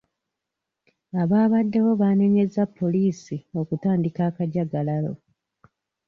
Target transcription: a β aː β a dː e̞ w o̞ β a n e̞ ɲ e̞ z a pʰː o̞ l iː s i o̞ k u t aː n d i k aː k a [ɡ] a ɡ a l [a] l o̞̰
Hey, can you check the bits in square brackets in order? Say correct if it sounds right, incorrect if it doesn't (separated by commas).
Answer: incorrect, correct